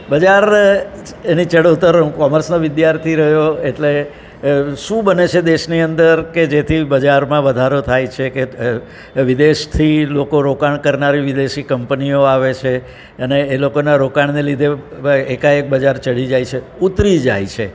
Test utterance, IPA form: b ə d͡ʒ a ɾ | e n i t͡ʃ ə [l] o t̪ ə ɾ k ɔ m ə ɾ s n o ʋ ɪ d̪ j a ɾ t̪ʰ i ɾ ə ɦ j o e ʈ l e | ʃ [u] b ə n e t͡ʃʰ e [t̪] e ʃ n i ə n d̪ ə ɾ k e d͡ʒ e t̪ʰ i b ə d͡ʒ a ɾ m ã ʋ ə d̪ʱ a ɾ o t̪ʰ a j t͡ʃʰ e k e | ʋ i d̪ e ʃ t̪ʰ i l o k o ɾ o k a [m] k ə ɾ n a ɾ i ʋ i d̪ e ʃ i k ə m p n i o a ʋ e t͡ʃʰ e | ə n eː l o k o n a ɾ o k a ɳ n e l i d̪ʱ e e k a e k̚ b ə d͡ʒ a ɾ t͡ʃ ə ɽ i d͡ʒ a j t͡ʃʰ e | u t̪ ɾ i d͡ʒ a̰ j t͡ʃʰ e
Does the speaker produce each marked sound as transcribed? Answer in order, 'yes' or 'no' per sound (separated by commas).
no, no, no, no